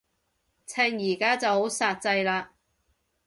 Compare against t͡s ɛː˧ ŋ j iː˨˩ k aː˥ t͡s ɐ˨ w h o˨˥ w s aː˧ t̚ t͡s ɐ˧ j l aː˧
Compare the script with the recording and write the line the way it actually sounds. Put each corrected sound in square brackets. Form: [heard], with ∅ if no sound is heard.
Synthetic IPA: [t͡sʰ] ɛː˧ ŋ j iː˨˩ k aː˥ t͡s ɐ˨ w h o˨˥ w s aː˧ t̚ t͡s ɐ˧ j l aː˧